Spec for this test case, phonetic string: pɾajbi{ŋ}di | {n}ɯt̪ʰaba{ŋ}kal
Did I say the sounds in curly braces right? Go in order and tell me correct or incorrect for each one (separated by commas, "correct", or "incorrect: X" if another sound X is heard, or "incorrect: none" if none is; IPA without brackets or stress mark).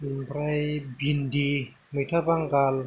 incorrect: n, incorrect: m, correct